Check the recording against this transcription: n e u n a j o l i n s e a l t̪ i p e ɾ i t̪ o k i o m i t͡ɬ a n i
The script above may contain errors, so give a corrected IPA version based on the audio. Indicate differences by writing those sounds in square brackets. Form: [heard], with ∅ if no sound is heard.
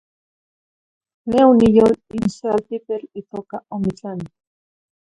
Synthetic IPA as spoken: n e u n [i] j o l i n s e a l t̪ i p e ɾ i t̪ o k [a] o m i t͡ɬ a n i